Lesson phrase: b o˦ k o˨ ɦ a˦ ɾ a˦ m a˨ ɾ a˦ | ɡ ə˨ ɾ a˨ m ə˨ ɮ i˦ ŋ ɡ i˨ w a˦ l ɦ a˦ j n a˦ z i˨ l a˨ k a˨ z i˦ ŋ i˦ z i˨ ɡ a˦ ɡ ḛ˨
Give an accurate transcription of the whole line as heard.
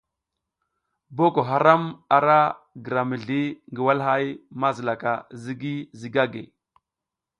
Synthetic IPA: b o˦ k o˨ ɦ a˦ ɾ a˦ m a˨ ɾ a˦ | ɡ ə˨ ɾ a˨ m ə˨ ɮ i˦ ŋ ɡ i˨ w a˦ l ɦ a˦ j m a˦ z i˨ l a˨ k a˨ z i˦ ɡ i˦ z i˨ ɡ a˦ ɡ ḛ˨